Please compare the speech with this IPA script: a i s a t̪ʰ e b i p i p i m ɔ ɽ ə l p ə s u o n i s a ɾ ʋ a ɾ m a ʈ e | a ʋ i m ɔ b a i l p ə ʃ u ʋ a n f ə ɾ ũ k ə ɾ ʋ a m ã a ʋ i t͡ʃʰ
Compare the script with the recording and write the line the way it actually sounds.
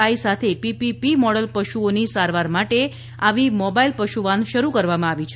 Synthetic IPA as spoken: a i s a t̪ʰ e p i p i p i m ɔ ɽ ə l p ə ʃ u o n i s a ɾ ʋ a ɾ m a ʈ e | a ʋ i m ɔ b a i l p ə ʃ u ʋ a n ʃ ə ɾ u k ə ɾ ʋ a m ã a ʋ i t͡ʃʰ